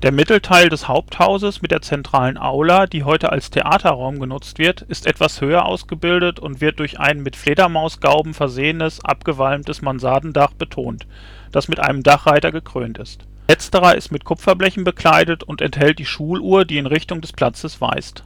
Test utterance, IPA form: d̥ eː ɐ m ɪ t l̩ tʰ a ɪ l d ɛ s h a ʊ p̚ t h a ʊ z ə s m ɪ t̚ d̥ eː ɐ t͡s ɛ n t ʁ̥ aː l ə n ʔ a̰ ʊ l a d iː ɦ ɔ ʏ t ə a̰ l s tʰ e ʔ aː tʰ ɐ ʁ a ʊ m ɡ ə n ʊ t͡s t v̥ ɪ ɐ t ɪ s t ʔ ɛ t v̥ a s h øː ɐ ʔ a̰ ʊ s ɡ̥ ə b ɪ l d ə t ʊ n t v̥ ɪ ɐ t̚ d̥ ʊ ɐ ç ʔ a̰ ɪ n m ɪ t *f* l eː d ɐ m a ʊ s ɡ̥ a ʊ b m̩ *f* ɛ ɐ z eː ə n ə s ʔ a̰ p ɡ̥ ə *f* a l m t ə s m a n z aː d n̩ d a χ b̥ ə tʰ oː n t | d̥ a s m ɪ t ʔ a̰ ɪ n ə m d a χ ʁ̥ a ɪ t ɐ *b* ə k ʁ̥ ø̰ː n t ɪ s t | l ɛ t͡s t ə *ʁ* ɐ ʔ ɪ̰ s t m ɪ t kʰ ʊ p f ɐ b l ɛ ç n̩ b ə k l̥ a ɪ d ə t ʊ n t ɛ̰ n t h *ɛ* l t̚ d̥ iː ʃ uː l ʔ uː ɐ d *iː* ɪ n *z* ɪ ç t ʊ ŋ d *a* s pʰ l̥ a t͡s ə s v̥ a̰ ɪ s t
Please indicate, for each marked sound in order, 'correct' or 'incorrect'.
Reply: correct, correct, incorrect: v, incorrect: ɡ, correct, correct, correct, incorrect: ʁ, incorrect: ɛ

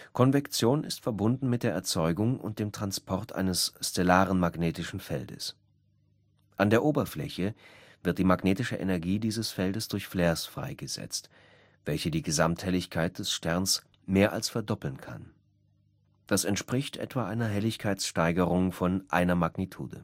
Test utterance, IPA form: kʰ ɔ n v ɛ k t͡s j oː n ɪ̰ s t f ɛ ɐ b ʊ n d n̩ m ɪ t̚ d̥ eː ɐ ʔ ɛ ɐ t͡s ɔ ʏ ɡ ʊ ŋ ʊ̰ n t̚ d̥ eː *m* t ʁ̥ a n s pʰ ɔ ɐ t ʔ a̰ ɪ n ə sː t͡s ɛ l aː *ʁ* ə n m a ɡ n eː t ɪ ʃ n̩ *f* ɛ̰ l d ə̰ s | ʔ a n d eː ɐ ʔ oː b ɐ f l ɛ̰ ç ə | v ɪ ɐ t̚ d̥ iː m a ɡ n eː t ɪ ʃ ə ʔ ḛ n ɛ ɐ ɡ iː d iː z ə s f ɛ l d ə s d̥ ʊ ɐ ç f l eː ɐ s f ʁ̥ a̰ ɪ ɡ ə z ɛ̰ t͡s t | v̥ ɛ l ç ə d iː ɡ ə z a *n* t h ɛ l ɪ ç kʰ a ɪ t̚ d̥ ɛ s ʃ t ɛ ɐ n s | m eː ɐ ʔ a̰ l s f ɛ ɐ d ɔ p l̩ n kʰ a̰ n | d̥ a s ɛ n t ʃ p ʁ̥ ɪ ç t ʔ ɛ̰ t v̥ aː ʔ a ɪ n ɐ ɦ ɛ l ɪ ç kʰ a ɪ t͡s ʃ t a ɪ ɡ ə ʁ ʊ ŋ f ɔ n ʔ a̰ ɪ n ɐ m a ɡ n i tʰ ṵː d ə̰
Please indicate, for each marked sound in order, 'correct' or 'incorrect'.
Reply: correct, correct, correct, incorrect: m

